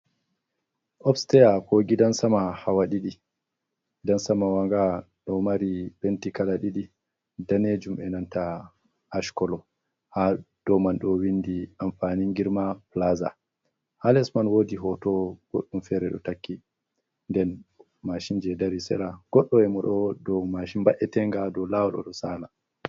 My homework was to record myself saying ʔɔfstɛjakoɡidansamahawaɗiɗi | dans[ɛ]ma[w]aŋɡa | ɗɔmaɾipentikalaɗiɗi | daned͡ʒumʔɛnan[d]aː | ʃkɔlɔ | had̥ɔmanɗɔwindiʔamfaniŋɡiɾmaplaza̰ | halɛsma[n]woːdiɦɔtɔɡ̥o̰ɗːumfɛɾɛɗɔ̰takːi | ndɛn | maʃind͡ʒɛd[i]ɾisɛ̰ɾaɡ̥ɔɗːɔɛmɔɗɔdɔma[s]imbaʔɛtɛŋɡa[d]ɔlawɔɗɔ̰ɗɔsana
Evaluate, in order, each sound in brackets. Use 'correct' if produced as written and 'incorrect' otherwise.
incorrect, correct, incorrect, correct, incorrect, incorrect, correct

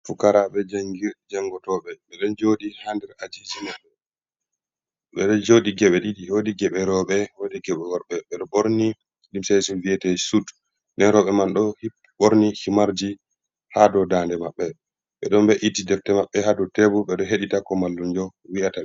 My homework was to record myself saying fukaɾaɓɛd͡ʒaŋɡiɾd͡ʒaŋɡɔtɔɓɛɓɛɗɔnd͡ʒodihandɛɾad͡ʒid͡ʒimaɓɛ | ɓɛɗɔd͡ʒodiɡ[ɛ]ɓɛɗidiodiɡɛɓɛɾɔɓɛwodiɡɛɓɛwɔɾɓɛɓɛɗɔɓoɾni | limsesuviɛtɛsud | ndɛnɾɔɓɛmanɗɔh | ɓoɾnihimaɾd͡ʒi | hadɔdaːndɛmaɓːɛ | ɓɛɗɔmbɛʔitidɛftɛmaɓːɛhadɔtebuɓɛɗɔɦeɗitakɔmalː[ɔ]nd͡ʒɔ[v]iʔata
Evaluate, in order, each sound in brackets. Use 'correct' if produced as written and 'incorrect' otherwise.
correct, incorrect, incorrect

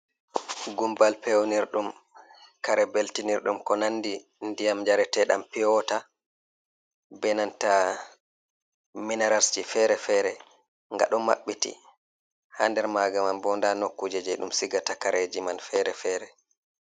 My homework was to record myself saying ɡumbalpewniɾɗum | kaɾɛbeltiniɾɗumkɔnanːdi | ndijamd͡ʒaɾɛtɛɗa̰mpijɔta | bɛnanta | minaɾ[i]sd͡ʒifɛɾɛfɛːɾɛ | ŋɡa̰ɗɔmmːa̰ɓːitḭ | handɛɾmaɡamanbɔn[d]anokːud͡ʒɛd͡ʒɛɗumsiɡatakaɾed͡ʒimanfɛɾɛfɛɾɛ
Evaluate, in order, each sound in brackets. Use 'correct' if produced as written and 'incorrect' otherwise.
incorrect, correct

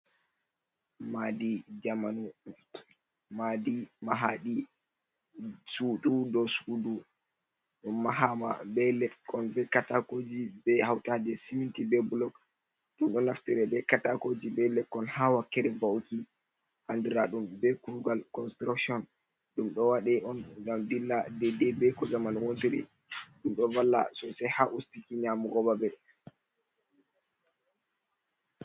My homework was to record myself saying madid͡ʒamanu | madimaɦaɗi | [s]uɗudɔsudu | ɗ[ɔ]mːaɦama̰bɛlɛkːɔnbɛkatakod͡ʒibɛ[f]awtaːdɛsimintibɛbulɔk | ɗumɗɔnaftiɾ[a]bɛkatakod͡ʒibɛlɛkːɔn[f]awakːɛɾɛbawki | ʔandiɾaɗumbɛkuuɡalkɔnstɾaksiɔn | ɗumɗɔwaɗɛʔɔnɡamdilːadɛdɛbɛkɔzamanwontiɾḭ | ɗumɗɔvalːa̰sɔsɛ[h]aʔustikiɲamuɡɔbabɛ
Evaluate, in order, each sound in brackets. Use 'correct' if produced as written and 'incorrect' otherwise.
correct, incorrect, incorrect, incorrect, incorrect, correct

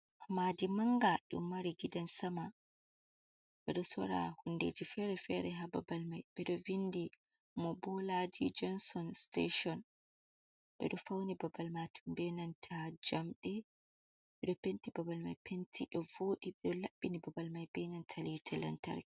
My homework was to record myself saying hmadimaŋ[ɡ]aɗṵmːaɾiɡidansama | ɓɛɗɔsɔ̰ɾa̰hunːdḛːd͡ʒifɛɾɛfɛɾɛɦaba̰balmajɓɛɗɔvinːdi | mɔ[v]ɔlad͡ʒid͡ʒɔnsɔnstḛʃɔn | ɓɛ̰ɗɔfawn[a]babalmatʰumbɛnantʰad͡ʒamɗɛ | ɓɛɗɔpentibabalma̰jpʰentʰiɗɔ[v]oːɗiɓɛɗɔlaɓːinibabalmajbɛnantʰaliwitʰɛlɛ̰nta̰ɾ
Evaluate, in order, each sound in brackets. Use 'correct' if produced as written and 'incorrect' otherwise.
correct, incorrect, incorrect, correct

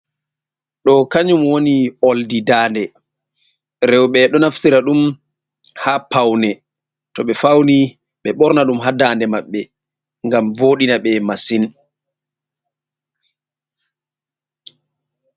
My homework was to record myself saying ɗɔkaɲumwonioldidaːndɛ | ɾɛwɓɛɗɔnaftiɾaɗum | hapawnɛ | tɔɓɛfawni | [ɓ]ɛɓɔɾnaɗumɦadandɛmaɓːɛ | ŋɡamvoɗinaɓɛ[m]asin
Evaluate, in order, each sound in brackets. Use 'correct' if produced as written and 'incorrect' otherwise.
correct, correct

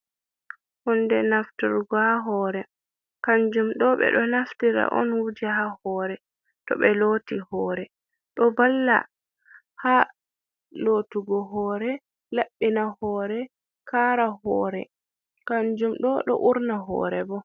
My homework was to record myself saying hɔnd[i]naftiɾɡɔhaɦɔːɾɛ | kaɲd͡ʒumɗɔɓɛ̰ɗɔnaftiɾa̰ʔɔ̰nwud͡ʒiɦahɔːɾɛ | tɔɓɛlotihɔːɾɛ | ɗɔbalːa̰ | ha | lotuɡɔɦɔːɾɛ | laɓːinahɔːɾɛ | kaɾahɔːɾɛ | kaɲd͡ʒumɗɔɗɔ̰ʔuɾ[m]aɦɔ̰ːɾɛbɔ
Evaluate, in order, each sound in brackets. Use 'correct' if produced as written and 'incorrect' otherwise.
incorrect, incorrect

